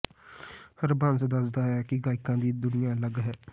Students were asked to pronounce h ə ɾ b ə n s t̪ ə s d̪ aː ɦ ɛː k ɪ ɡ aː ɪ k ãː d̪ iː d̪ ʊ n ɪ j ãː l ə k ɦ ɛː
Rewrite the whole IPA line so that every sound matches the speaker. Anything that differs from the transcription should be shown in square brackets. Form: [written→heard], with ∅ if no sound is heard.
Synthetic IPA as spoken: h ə ɾ b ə n s [t̪→d̪] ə s d̪ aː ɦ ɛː k ɪ ɡ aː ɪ k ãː d̪ iː d̪ ʊ n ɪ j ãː l ə [k→ɡ] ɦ ɛː